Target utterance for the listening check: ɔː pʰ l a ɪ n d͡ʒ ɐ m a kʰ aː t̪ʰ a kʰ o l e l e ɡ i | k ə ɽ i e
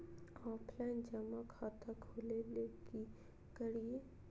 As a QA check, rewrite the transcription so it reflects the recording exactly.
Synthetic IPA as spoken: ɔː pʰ l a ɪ n d͡ʒ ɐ m a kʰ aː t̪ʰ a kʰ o l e l e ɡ i | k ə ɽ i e